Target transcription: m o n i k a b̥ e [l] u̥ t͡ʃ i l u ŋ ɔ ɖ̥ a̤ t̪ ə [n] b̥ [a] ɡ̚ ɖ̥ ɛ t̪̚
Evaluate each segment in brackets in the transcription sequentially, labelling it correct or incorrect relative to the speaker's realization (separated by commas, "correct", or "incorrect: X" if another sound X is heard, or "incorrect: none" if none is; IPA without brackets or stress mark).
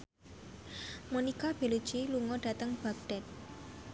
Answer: correct, incorrect: ŋ, correct